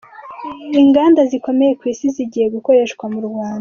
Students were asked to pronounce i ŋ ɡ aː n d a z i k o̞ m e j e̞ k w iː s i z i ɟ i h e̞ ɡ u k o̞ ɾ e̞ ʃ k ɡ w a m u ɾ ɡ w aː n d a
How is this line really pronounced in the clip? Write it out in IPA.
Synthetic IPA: i ŋ ɡ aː n d a z i k o̞ m e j e̞ k w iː s i z i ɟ i h e̞ ɡ u k o̞ ɾ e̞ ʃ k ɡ w a m u ɾ ɡ w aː n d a